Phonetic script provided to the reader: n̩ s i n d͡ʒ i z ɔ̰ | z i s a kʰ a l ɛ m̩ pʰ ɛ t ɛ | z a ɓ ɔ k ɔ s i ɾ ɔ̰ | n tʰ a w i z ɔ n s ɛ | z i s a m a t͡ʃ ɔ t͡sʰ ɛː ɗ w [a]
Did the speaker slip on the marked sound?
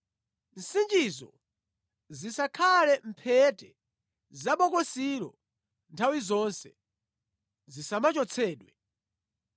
yes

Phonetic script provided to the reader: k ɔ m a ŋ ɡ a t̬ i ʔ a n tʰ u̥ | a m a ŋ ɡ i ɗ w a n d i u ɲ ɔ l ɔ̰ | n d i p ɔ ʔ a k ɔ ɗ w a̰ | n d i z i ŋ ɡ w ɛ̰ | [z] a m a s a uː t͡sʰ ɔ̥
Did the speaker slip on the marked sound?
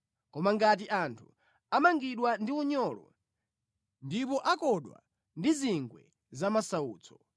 no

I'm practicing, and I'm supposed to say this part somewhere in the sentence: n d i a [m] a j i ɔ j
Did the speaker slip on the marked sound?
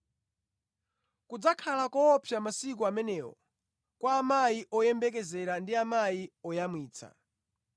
no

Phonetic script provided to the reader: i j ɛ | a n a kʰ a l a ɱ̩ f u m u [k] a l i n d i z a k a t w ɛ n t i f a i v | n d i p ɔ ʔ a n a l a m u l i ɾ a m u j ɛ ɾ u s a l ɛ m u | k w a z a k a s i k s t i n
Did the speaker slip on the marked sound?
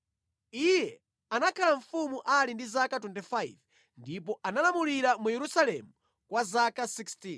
yes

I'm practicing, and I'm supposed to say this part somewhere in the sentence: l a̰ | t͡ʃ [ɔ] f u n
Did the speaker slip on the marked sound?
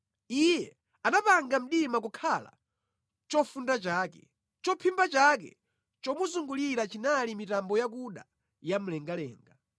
no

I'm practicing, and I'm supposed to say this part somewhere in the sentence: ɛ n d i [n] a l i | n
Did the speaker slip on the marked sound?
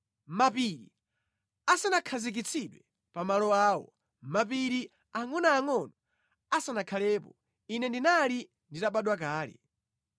no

